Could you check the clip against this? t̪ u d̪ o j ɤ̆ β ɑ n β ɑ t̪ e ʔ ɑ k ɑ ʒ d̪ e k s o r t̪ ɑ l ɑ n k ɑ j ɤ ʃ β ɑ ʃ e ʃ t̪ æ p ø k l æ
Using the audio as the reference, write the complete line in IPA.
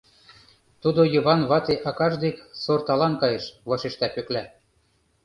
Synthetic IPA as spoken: t̪ u d̪ o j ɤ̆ β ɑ n β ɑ t̪ e ʔ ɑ k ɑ ʒ d̪ e k s o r t̪ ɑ l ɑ n k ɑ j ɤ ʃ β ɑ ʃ e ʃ t̪ æ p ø k l æ